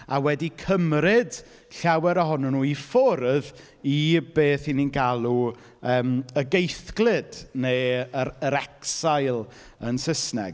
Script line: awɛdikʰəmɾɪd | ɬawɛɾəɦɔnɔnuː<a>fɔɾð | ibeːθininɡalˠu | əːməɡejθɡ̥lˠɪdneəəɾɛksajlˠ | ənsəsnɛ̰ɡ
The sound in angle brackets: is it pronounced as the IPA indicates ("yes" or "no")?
no